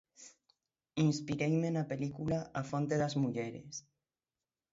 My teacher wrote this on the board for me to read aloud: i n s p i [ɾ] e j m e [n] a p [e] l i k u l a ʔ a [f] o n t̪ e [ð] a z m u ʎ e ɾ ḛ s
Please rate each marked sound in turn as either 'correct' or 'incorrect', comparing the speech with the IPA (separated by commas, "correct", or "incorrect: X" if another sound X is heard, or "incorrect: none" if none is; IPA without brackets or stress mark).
correct, correct, correct, correct, correct